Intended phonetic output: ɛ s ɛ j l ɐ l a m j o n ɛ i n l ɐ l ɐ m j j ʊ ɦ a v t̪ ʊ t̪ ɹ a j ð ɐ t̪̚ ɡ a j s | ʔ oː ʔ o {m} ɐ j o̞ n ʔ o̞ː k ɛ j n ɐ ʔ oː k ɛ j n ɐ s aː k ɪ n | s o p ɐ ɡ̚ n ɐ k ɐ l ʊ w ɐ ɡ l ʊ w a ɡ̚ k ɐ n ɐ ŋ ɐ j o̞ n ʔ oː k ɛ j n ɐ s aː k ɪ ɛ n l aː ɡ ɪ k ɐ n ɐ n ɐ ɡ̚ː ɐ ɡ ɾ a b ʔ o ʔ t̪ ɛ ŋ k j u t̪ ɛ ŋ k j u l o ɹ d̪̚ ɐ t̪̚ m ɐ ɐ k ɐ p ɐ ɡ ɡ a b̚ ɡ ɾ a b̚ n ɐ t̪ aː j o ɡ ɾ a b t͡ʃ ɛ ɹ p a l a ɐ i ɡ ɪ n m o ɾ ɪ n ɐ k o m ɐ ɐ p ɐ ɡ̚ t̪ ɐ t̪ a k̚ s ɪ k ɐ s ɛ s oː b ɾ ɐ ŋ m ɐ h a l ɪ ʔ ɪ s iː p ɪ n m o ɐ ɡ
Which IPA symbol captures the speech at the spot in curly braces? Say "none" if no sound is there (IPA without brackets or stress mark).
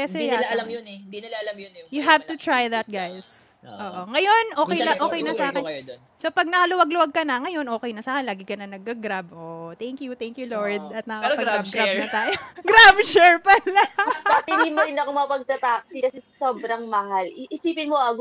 ŋ